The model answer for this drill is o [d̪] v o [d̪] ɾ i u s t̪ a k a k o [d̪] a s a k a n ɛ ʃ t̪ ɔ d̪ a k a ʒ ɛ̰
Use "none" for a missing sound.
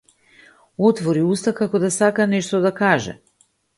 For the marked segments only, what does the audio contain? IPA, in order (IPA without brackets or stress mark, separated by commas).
t̪, none, d̪